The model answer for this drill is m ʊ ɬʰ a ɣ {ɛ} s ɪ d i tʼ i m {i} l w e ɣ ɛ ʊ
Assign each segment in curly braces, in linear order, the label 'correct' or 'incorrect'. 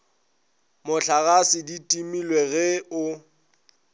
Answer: incorrect: a, correct

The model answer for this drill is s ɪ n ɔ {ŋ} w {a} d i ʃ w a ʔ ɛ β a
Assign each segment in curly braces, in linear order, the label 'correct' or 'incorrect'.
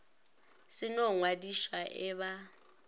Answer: correct, correct

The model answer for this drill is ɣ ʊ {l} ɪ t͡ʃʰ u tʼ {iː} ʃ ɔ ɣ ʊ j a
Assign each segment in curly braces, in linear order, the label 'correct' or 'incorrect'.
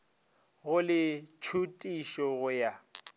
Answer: correct, incorrect: i

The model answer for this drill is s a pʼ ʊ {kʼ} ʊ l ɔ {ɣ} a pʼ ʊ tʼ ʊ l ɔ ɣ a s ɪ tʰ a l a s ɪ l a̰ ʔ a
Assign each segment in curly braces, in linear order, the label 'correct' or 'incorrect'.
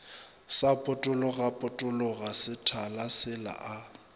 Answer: incorrect: tʼ, correct

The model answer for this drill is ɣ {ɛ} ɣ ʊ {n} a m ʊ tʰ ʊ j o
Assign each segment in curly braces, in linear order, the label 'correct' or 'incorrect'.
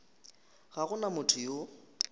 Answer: incorrect: a, correct

